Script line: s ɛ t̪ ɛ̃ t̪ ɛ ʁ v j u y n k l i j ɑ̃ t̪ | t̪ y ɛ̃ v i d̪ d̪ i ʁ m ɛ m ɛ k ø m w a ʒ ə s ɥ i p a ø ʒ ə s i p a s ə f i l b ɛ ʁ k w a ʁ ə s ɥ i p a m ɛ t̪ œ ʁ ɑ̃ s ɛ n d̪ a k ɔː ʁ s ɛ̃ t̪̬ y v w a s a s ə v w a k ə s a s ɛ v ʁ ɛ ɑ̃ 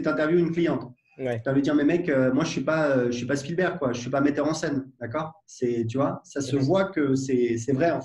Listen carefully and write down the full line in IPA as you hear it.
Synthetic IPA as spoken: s ɛ t̪ ɛ̃ t̪ ɛ ʁ v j u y n k l i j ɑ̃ t̪ | t̪ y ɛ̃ v i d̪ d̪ i ʁ m ɛ m ɛ k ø m w a ʒ ə s ɥ i p a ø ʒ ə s i p a s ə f i l b ɛ ʁ k w a ʒ ə s ɥ i p a m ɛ t̪ œ ʁ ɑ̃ s ɛ n d̪ a k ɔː ʁ s ɛ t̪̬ y v w a s a s ə v w a k ə s ɛ s ɛ v ʁ ɛ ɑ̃